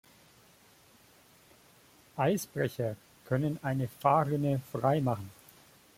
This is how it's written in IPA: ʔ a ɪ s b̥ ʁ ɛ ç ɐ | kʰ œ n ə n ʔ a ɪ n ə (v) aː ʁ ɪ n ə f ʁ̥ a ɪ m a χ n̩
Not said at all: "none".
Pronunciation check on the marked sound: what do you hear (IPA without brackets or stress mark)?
f